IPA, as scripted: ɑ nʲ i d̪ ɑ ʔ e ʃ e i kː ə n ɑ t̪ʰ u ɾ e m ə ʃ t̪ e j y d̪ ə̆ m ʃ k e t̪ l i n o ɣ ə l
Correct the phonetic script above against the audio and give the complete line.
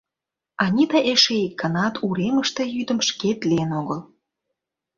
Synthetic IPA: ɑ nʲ i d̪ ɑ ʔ e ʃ e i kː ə n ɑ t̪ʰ u ɾ e m ə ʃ t̪ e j y d̪ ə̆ m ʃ k e t̪ l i n o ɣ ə l